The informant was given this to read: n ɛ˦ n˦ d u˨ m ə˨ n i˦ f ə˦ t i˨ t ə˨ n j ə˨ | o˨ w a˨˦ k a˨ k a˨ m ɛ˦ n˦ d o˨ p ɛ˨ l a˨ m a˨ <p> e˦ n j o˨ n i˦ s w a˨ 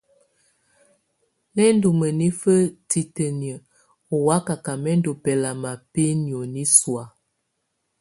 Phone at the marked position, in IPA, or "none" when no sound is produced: p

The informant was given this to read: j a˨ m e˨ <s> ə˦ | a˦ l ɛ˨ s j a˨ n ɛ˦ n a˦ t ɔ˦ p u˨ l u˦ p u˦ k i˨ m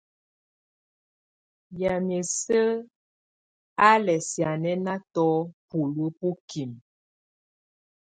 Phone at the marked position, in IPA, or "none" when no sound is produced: s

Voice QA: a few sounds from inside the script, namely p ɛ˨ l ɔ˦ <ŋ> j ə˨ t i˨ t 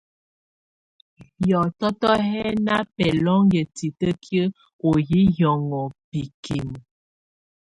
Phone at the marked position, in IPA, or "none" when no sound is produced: ŋ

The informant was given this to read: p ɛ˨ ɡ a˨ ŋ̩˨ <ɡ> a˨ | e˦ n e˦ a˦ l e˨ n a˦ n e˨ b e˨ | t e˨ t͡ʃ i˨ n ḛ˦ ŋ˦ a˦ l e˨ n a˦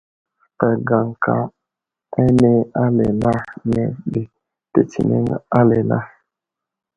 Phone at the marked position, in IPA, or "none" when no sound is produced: k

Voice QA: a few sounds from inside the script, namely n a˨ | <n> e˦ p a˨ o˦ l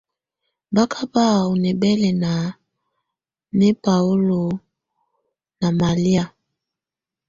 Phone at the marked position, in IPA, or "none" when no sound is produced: n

